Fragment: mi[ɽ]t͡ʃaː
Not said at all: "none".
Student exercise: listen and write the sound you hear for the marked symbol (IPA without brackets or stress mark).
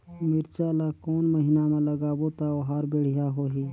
ɾ